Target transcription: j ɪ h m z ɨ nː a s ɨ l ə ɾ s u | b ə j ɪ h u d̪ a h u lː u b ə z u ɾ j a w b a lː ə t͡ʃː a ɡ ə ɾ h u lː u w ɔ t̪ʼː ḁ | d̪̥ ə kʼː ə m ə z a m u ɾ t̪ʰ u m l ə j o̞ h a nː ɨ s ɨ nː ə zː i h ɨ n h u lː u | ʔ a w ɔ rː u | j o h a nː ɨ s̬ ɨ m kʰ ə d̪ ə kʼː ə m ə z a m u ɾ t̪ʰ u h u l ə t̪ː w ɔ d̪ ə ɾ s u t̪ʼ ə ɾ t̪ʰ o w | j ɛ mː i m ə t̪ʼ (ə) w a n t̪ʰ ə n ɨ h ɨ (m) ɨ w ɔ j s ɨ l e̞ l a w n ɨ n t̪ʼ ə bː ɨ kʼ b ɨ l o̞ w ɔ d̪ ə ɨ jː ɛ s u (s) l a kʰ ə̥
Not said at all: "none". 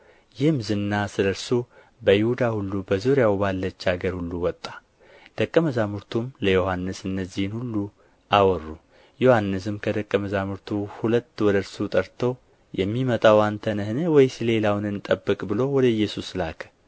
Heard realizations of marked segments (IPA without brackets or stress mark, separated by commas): a, n, s